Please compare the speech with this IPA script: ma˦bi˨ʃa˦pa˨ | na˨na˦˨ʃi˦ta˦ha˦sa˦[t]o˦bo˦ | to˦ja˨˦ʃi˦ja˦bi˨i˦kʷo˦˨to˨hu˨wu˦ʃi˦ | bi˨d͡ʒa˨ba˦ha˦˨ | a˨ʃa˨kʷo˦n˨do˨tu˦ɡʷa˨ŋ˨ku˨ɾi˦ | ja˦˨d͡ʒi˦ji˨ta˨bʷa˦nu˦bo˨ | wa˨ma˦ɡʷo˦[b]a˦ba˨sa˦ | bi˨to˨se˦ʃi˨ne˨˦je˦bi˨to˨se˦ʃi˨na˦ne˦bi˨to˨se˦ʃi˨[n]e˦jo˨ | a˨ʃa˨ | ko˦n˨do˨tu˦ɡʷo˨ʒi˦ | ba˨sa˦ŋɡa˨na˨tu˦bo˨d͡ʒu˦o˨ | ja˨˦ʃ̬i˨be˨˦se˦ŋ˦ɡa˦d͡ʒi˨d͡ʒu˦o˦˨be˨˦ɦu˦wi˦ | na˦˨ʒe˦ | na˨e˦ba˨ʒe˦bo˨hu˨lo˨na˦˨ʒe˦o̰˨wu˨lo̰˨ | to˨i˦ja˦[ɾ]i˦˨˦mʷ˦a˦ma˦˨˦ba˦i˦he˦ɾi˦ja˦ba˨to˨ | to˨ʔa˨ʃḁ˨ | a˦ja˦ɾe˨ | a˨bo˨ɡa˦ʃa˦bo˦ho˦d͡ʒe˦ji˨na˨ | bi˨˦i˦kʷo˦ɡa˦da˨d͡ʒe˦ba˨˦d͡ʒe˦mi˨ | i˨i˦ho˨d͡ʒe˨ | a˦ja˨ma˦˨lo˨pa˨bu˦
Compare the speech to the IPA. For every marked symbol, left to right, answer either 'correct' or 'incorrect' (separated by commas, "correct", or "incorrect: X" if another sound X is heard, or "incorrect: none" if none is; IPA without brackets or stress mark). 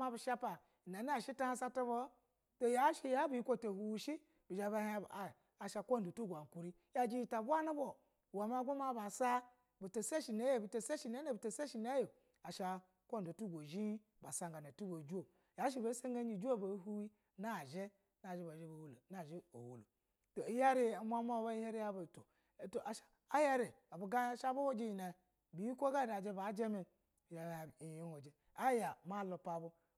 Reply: correct, incorrect: m, correct, correct